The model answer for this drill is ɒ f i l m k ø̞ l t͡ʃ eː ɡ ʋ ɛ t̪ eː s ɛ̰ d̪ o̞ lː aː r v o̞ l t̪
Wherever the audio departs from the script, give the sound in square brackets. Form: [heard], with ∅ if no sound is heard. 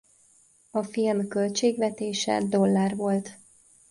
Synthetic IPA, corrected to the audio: ɒ f i l m k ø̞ l t͡ʃ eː ɡ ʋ ɛ t̪ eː [ʃ] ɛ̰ d̪ o̞ lː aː r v o̞ l t̪